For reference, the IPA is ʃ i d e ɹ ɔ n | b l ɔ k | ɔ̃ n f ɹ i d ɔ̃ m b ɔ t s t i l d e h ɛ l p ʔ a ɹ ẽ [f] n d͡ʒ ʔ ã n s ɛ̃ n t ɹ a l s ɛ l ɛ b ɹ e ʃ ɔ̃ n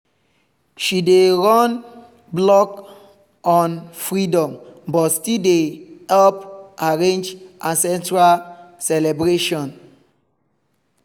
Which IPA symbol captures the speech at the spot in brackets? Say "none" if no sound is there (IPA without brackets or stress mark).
none